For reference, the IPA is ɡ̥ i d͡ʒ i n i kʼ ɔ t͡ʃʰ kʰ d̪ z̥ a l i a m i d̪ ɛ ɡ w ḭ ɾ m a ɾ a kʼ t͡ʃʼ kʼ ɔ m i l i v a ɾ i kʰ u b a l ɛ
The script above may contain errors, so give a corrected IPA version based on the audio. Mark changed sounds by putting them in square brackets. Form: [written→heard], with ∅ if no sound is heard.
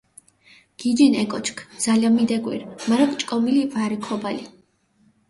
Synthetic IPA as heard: ɡ̥ i d͡ʒ i n [i→ɛ] kʼ ɔ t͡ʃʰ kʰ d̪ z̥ a l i a m i d̪ ɛ ɡ w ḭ ɾ m a ɾ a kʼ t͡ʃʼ kʼ ɔ m i l i v a ɾ i kʰ [u→ɔ] b a l [ɛ→i]